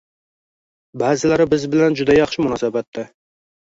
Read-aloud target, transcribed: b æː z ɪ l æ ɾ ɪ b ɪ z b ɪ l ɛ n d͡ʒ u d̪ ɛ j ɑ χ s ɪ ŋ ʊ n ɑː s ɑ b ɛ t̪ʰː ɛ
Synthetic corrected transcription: b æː z ɪ l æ ɾ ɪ b ɪ z b ɪ l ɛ n d͡ʒ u d̪ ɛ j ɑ χ ʃ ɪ m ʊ n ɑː s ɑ b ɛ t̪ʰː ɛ